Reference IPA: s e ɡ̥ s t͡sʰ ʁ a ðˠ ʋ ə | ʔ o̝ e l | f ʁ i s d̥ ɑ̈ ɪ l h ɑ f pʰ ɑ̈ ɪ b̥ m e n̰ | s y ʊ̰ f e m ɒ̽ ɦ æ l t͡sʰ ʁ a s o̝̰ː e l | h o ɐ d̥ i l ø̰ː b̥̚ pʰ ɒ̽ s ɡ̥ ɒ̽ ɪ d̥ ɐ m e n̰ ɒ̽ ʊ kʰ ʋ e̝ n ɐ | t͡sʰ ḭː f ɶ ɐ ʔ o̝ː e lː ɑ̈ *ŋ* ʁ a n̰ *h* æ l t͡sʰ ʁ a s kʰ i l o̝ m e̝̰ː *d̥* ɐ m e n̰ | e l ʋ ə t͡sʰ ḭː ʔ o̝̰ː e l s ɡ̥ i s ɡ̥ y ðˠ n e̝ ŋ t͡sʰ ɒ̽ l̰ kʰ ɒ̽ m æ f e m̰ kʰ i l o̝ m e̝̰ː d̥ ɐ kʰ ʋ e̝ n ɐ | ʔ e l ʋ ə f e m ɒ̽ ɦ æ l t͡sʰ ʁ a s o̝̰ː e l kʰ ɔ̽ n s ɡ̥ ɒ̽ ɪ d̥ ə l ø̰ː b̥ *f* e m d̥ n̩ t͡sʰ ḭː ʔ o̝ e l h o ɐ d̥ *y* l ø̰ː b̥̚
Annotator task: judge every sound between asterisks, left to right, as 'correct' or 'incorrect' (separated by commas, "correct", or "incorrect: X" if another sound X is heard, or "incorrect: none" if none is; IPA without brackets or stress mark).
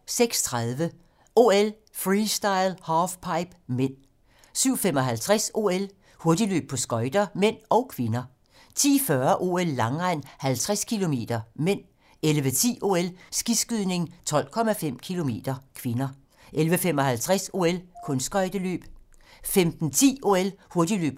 correct, correct, correct, correct, incorrect: i